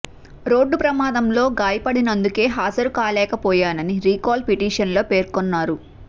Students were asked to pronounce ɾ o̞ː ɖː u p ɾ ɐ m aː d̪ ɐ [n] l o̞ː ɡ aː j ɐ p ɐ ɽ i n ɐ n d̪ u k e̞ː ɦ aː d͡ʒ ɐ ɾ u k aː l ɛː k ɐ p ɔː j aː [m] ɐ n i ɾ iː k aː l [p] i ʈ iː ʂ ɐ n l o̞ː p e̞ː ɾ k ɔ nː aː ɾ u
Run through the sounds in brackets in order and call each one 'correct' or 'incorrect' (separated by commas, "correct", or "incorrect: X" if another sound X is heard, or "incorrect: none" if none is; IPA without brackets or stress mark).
incorrect: m, incorrect: n, correct